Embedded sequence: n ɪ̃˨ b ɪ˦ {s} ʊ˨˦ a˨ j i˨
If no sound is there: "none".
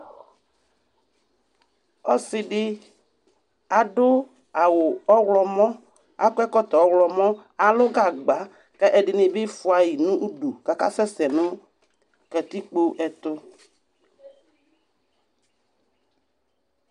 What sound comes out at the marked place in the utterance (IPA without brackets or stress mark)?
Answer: f